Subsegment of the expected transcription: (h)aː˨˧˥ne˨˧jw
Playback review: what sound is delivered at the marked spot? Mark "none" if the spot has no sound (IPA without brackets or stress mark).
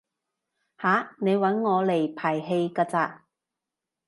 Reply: h